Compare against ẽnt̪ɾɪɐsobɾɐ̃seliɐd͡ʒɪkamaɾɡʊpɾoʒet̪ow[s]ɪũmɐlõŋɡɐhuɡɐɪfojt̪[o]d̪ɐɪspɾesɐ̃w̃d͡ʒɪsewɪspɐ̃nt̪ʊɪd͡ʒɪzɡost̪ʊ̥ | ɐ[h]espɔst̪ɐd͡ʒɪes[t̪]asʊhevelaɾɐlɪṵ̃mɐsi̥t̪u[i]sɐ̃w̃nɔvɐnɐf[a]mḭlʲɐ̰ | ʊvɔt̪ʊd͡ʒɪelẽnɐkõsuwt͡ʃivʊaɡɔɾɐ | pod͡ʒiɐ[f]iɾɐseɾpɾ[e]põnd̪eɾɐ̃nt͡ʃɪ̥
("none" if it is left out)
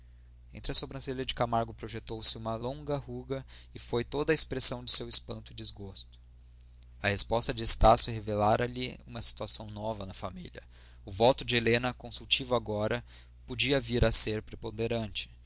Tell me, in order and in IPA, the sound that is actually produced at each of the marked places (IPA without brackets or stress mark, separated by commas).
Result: s, o, h, t̪, a, a, v, e